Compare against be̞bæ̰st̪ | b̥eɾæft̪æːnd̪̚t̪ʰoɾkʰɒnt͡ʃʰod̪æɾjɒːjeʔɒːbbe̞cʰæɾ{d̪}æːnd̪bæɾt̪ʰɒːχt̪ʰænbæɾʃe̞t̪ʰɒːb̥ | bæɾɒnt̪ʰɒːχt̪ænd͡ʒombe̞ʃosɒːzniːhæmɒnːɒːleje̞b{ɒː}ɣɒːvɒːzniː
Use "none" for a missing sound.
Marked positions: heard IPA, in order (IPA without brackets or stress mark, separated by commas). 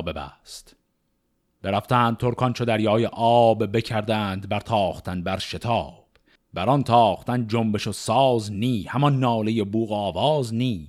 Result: d̪, uː